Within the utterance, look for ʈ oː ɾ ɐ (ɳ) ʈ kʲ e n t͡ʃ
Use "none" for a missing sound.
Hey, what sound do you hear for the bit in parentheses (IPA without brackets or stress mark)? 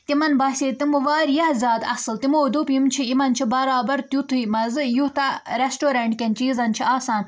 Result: ɳ